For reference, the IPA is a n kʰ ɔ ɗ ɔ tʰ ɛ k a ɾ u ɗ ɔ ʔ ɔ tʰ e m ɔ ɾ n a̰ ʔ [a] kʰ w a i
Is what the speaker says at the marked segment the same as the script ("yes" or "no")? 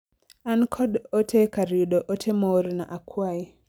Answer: yes